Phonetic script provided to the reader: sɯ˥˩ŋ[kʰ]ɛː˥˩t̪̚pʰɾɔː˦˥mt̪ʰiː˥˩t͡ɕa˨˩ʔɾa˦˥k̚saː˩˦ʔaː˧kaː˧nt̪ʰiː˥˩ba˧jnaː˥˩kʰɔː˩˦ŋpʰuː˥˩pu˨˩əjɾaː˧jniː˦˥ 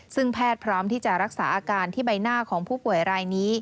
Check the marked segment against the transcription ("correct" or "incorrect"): incorrect